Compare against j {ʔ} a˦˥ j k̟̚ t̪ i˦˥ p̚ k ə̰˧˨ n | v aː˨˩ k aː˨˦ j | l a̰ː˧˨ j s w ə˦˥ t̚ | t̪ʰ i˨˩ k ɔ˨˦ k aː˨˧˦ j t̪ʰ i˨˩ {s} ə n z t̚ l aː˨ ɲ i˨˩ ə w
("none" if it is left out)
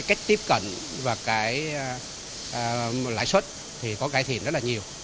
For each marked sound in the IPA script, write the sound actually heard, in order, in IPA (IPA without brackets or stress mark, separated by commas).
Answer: k, none